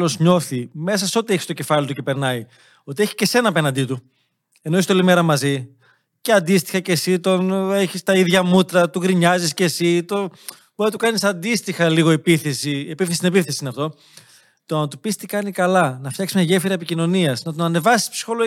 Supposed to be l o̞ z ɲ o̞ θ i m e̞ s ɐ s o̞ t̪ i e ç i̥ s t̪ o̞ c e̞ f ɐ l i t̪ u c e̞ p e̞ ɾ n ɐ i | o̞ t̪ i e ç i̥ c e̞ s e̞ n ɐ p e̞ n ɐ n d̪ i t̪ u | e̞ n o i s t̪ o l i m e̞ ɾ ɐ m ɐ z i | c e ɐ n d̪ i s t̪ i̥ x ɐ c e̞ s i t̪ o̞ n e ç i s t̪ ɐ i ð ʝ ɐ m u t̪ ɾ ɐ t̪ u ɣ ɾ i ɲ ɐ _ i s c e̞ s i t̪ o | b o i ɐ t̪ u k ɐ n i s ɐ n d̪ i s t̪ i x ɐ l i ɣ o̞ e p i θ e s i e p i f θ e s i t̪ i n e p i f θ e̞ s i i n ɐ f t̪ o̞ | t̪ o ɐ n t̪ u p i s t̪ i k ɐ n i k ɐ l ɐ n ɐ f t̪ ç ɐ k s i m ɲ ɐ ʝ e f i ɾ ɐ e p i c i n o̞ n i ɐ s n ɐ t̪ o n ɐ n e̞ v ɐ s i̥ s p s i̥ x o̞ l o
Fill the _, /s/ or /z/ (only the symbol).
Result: z